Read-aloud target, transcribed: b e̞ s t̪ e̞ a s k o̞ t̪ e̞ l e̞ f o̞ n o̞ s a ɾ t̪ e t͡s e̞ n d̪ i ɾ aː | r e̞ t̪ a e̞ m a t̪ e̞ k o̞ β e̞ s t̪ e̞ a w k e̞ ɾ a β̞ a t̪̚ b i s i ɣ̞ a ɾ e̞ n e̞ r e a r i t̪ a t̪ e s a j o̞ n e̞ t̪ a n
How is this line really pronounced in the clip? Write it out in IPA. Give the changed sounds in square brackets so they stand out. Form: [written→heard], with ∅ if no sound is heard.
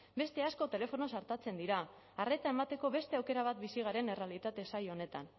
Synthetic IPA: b e̞ s t̪ e̞ a s k o̞ t̪ e̞ l e̞ f o̞ n o̞ s a ɾ t̪ [e→a] t͡s e̞ n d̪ i ɾ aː | r e̞ t̪ a e̞ m a t̪ e̞ k o̞ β e̞ s t̪ e̞ a w k e̞ ɾ a β̞ a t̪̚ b i s i ɣ̞ a ɾ e̞ n e̞ r e a [r→l] i t̪ a t̪ e s a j o̞ n e̞ t̪ a n